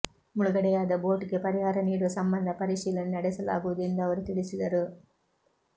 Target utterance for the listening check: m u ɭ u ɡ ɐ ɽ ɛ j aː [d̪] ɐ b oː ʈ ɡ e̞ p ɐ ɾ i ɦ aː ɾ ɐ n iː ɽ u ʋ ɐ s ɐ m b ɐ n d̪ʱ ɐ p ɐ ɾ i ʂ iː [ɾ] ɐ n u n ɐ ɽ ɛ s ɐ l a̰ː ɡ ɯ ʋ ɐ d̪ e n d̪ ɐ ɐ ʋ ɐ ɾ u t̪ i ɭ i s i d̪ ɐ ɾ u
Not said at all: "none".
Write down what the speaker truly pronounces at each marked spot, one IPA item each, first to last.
d̪, l

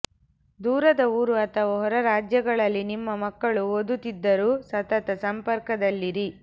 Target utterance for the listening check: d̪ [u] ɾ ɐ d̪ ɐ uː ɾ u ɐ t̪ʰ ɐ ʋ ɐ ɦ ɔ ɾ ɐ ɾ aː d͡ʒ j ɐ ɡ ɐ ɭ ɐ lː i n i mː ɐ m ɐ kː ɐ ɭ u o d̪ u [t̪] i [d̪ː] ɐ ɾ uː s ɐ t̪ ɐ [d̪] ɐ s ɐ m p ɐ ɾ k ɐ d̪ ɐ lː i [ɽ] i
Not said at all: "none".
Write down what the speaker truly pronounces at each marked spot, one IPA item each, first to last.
uː, t̪, d̪ː, t̪, ɾ

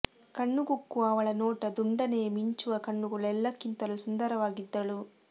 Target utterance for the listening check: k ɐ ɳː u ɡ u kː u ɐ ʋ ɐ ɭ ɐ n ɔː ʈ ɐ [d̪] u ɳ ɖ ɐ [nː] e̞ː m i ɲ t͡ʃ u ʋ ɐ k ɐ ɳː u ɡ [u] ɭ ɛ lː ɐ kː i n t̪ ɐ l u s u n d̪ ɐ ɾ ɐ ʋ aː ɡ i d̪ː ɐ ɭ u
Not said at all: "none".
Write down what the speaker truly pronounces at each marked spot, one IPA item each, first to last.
d̪, n, u

